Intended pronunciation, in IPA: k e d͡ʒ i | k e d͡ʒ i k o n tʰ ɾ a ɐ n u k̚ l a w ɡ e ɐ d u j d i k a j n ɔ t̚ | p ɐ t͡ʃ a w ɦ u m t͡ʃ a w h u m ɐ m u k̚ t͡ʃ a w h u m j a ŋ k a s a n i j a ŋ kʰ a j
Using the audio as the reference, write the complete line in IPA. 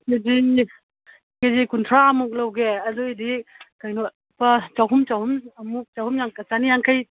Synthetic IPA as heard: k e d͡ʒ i | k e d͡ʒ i k u n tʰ ɾ a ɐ m u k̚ l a w ɡ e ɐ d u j d i k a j n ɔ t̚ | p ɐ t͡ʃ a w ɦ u m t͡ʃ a w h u m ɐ m u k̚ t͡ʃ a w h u m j a ŋ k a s a n i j a ŋ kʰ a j

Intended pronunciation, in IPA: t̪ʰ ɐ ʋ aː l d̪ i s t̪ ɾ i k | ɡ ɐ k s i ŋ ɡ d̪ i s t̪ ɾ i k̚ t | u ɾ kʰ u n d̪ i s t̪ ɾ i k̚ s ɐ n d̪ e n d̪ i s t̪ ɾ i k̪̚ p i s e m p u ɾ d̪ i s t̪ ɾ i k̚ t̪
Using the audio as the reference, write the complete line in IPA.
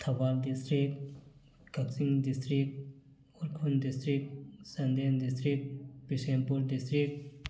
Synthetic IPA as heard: t̪ʰ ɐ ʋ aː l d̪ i s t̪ ɾ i k | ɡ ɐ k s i ŋ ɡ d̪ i s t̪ ɾ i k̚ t | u ɾ kʰ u n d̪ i s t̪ ɾ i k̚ s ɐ n d̪ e n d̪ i s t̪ ɾ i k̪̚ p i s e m p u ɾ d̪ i s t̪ ɾ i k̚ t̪

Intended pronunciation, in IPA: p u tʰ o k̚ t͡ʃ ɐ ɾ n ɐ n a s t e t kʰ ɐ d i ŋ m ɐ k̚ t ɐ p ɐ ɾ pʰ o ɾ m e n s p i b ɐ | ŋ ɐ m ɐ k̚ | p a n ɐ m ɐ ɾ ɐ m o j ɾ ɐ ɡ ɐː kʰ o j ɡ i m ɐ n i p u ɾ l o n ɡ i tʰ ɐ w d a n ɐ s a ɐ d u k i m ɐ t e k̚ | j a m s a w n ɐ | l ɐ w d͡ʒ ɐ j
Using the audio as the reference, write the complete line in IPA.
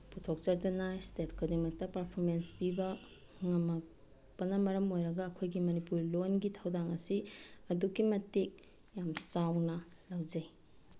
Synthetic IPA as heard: p u tʰ o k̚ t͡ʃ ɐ ɾ d ɐ n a s t e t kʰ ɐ d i ŋ m ɐ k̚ t ɐ p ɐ ɾ pʰ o ɾ m e n s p i b ɐ | ŋ ɐ m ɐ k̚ | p ɐ n ɐ m ɐ ɾ ɐ m o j ɾ ɐ ɡ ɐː kʰ o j ɡ i m ɐ n i p u ɾ l o n ɡ i tʰ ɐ w d a ŋ ɐ s i ɐ d u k i m ɐ t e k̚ | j a m s a w n ɐ | l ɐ w d͡ʒ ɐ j

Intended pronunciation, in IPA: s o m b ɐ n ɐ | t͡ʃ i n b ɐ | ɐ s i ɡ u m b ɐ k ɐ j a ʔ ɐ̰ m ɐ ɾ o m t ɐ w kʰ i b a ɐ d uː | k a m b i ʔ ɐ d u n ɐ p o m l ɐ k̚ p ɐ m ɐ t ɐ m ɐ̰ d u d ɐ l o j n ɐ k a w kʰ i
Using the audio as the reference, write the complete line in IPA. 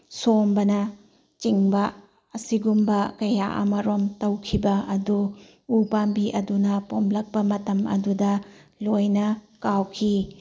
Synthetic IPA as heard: s o m b ɐ n ɐ | t͡ʃ i ŋ b ɐ | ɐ s i ɡ u m b ɐ k ɐ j a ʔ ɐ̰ m ɐ ɾ o m t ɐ w kʰ i b ɐ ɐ d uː | p a m b i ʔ ɐ d u n ɐ p o m l ɐ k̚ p ɐ m ɐ t ɐ m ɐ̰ d u d ɐ l o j n ɐ k a w kʰ i

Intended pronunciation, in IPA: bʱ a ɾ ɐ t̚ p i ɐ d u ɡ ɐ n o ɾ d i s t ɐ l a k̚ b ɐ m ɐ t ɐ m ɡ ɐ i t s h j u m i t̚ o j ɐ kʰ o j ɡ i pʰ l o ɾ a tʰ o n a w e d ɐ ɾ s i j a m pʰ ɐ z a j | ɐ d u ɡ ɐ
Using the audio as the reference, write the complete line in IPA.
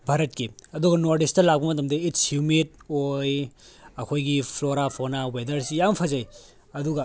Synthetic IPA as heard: bʱ a ɾ ɐ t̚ k i ɐ d u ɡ ɐ n o ɾ d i s t ɐ l a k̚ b ɐ m ɐ t ɐ m d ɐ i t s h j u m i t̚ o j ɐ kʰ o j ɡ i pʰ l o ɾ a pʰ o n a w e d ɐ ɾ s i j a m pʰ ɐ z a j | ɐ d u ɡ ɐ

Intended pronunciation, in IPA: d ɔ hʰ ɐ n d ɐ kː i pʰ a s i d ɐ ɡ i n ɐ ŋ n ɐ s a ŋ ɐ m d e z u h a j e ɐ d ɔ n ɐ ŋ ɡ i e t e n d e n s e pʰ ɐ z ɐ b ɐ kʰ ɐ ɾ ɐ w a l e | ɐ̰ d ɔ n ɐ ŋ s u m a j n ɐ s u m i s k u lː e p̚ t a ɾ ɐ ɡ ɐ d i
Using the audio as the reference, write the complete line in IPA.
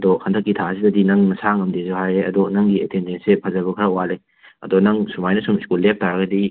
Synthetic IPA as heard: d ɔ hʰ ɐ n d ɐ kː i tʰ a s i d ɐ d i n ɐ ŋ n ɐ s a ŋ ɐ m d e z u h a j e ɐ d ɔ n ɐ ŋ ɡ i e t e n d e n s e pʰ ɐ z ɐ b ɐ kʰ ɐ ɾ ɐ w a l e | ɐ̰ d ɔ n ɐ ŋ s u m a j n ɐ s u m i s k u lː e p̚ t a ɾ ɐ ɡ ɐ d i

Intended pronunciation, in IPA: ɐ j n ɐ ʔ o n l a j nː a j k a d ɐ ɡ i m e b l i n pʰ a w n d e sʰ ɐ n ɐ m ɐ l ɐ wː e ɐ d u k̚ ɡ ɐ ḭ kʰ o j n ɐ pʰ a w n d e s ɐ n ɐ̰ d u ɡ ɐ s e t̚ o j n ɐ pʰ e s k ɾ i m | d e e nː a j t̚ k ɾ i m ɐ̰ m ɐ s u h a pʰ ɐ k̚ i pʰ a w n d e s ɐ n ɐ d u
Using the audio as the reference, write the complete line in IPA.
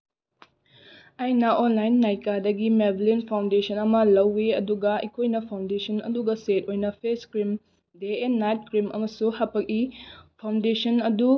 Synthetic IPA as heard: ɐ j n ɐ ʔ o n l a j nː a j k a d ɐ ɡ i m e b l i n pʰ a w n d e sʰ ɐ n ɐ m ɐ l ɐ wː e ɐ d u ɡ ɐ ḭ kʰ o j n ɐ pʰ a w n d e s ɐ n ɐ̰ d u ɡ ɐ s e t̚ o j n ɐ pʰ e s k ɾ i m | d e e nː a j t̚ k ɾ i m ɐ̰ m ɐ s u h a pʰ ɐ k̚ i pʰ a w n d e s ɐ n ɐ d u

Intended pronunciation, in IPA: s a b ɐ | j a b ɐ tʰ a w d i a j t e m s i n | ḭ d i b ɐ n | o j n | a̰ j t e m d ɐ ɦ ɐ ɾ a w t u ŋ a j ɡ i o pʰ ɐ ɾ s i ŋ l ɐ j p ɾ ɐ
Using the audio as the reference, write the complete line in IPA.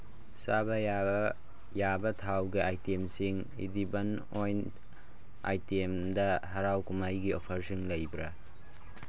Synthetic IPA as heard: s a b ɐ | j a b ɐ tʰ a w ɡ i a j t e m s i ŋ | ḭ d i b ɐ n | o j n | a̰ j t e m d ɐ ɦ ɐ ɾ a w k u m a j ɡ i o pʰ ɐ ɾ s i ŋ l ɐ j b ɾ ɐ

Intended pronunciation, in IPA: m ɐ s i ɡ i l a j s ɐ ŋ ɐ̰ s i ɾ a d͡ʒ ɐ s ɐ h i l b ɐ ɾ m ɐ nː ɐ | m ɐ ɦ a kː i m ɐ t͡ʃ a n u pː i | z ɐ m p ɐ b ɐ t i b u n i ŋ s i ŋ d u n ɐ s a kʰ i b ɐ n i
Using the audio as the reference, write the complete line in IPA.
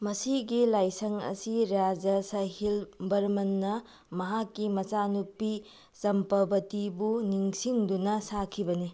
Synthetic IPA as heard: m ɐ s i ɡ i l a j s ɐ ŋ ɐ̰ s i ɾ a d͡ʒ ɐ s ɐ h i l b ɐ ɾ m ɐ nː ɐ | m ɐ ɦ a kː i m ɐ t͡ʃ a n u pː i | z ɐ m p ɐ b ɐ t i b u n i ŋ s i ŋ d u n ɐ s a kʰ i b ɐ n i

